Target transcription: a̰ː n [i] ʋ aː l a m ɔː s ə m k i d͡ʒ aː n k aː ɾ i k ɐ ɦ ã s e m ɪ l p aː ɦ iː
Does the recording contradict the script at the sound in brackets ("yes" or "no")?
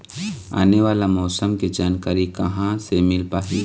yes